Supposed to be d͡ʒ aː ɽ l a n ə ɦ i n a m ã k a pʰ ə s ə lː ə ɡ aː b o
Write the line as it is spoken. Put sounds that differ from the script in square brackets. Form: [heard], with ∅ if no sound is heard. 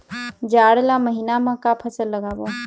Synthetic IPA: d͡ʒ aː ɽ l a [m] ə ɦ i n a m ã k a pʰ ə s ə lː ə ɡ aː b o